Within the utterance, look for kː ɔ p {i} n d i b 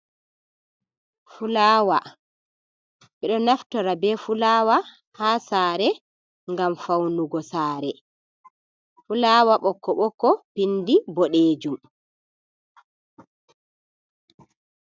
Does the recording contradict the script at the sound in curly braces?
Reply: no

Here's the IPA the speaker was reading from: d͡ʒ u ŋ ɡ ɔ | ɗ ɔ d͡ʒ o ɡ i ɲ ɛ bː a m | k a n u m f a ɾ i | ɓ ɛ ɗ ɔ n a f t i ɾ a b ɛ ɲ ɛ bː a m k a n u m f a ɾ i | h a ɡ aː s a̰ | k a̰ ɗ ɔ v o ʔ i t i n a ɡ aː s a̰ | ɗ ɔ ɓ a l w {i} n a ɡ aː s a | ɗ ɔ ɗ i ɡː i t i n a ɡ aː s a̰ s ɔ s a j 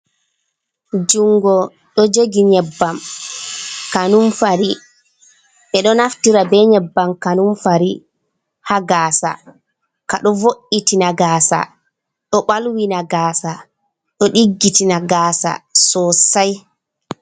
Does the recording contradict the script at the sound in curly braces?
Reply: no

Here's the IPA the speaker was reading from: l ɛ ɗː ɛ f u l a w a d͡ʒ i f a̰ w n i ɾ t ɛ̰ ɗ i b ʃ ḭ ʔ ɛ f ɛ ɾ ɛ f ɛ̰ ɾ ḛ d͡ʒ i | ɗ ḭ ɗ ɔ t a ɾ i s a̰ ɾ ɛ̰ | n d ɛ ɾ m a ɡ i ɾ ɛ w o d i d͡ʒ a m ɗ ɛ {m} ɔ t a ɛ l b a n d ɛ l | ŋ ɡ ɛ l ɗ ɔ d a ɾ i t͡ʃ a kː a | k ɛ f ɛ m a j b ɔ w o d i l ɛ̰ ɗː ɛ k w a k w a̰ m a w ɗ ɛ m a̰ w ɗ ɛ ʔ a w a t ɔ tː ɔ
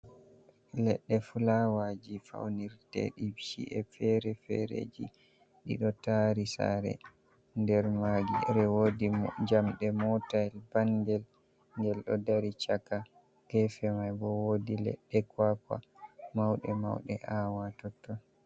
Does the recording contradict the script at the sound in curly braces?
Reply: no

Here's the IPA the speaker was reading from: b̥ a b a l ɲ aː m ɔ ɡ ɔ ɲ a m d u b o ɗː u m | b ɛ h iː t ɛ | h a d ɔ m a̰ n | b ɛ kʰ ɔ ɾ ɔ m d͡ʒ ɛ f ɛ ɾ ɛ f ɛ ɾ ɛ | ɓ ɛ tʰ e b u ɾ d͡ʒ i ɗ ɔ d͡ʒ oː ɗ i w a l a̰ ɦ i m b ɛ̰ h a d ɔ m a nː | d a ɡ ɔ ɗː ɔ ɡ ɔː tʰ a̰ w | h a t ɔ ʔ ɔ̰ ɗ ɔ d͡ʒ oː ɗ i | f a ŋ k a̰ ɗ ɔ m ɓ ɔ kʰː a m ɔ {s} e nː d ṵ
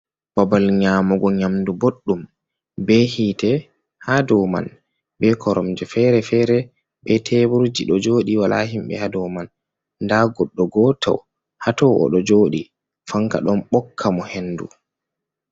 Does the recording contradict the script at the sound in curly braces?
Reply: yes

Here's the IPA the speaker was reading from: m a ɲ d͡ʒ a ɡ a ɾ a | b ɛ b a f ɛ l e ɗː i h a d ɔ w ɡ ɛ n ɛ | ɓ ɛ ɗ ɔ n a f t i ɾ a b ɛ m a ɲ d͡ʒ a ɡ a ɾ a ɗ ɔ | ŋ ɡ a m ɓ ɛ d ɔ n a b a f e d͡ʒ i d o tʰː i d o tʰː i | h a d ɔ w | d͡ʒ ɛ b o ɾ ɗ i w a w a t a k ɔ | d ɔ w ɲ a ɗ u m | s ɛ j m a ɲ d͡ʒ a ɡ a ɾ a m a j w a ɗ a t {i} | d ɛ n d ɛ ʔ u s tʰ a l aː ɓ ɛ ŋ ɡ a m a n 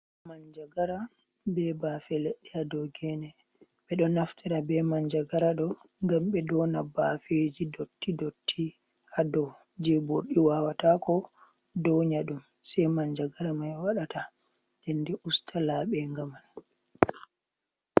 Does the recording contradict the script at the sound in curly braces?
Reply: yes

